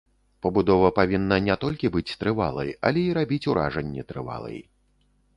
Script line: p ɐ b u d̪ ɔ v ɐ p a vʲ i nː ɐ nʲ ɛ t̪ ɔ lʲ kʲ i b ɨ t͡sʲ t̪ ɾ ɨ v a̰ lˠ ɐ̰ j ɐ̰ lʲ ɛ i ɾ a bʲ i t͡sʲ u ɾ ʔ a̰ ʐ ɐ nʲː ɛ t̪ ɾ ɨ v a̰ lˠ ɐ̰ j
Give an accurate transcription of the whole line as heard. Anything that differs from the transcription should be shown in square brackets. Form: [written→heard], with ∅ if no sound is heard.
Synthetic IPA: p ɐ b u d̪ ɔ v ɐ p a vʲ i nː ɐ nʲ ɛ t̪ ɔ lʲ kʲ i b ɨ t͡sʲ t̪ ɾ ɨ v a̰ lˠ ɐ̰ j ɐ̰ lʲ ɛ i ɾ a bʲ i t͡sʲ u ɾ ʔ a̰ ʐ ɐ nʲː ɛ t̪ ɾ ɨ v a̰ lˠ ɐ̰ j